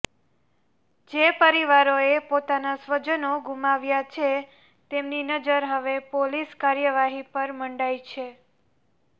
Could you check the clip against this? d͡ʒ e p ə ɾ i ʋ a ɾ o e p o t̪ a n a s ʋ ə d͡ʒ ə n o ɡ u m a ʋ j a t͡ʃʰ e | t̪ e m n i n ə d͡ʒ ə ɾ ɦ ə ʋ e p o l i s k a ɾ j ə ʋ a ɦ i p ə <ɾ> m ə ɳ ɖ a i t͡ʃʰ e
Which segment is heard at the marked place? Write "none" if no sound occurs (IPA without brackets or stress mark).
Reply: ɾ